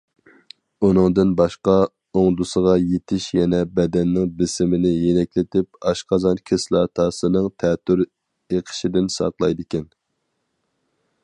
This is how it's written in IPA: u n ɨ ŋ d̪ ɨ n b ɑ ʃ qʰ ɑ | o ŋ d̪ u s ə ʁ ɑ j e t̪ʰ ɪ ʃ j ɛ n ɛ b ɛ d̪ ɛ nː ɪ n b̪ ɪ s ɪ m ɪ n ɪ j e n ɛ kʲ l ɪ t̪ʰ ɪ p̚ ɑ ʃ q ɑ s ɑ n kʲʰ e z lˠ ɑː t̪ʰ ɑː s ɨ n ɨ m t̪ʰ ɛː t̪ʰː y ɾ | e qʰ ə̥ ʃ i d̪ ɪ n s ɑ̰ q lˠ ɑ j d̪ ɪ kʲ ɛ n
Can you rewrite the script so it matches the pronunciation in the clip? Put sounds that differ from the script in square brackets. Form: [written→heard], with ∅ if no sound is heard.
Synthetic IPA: u n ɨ ŋ d̪ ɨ n b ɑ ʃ [qʰ→q] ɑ | o ŋ d̪ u s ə ʁ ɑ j e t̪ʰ ɪ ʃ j ɛ n ɛ b ɛ d̪ ɛ nː ɪ [n→ŋ] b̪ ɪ s ɪ m ɪ n ɪ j e n ɛ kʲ l ɪ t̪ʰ ɪ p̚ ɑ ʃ q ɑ [s→z] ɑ n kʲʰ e [z→s] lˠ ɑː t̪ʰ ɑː s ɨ n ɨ [m→ŋ] t̪ʰ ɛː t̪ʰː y ɾ | e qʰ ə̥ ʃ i d̪ ɪ n s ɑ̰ q lˠ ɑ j d̪ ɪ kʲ ɛ n